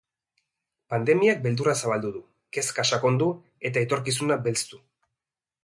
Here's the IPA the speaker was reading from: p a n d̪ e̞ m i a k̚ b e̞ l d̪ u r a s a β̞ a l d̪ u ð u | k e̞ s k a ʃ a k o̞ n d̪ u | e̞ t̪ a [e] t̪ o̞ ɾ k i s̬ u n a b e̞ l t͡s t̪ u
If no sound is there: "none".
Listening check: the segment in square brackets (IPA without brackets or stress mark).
e